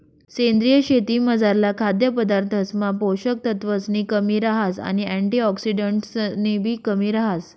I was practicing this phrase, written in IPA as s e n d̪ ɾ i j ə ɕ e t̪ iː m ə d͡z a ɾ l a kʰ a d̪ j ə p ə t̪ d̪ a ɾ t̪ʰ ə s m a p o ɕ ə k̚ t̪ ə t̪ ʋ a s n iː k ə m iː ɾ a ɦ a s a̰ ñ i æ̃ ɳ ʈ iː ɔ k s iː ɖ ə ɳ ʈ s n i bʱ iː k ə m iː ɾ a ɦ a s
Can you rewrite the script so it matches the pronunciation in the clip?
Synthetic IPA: s e n d̪ ɾ i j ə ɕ e t̪ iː m ə d͡z a ɾ l a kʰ a d̪ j ə p ə d̪ a ɾ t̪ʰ ə s m a p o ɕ ə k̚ t̪ ə t̪ ʋ ə s n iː k ə m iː ɾ a ɦ a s a̰ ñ i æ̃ ɳ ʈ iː ɔ k s i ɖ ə ɳ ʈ s n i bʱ iː k ə m iː ɾ a ɦ a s